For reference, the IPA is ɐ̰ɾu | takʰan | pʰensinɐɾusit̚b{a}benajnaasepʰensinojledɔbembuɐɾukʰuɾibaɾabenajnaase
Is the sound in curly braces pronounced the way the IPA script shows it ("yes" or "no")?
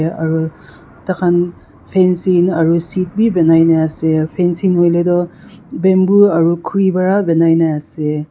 no